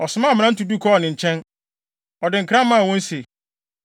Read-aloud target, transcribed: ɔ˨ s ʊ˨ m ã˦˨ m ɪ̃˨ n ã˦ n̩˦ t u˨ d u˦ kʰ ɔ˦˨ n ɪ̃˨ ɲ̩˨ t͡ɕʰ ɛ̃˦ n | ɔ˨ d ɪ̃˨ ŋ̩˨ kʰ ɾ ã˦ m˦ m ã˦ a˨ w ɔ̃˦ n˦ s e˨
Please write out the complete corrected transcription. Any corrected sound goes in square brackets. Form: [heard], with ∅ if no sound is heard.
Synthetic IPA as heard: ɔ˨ s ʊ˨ m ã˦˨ m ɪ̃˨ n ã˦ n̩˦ t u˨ d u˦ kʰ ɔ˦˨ n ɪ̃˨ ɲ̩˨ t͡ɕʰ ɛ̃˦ n | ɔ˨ d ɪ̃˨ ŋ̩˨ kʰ ɾ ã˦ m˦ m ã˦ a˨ w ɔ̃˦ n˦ s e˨